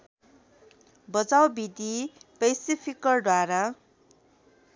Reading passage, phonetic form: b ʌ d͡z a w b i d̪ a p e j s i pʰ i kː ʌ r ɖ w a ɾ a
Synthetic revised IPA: b ʌ d͡z a w b i d̪ i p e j s i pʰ i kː ʌ r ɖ w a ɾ a